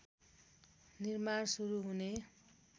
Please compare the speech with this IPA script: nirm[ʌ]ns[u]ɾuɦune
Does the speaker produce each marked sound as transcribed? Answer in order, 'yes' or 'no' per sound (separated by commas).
no, yes